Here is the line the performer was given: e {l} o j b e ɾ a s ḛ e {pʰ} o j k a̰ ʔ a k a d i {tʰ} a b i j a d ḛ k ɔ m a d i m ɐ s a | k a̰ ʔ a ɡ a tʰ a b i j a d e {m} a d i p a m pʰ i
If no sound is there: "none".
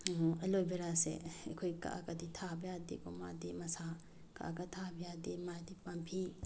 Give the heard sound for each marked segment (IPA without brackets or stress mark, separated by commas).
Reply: l, kʰ, tʰ, m